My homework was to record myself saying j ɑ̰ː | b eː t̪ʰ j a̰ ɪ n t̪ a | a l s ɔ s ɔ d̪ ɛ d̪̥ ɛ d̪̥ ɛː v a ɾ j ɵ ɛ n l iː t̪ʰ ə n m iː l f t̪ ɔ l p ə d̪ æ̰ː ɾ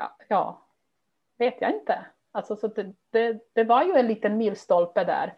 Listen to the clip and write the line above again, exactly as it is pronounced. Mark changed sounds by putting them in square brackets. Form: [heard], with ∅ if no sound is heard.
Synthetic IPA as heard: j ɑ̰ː | [v] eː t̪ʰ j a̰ ɪ n t̪ [ə] | a l s ɔ s ɔ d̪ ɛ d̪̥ ɛ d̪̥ [ɛ] v a ɾ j ɵ ɛ n l iː [t̪] ə n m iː l [s] t̪ ɔ l p ə d̪ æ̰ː ɾ